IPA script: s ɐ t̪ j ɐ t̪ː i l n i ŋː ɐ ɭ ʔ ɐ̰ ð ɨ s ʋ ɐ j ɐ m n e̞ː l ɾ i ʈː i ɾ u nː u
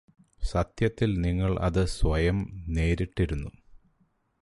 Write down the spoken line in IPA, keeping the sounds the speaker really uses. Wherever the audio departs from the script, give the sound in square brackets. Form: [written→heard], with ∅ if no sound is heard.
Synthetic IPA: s ɐ t̪ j ɐ t̪ː i l n i ŋː ɐ ɭ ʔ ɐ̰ ð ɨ s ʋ ɐ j ɐ m n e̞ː [l→∅] ɾ i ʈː i ɾ u nː u